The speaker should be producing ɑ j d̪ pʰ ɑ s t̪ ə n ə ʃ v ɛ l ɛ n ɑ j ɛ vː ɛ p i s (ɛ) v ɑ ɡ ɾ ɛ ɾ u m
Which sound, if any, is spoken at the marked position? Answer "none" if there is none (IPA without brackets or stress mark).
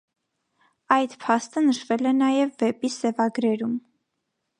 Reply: ɛ